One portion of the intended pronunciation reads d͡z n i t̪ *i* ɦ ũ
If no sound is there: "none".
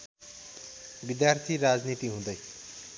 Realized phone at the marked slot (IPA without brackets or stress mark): i